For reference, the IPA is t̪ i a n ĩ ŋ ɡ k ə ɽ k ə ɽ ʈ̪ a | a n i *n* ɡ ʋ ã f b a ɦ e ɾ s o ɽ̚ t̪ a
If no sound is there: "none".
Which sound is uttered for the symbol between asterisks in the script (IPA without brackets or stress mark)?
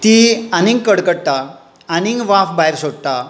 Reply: ŋ